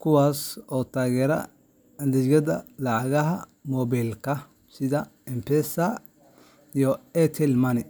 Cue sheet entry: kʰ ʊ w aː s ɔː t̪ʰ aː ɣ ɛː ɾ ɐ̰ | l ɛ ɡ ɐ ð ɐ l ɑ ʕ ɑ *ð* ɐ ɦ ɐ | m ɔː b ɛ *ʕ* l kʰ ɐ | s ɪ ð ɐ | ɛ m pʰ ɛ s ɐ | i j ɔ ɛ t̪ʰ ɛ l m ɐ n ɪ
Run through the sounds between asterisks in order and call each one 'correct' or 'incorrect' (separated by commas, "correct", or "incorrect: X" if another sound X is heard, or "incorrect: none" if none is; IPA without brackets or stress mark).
incorrect: ɣ, incorrect: none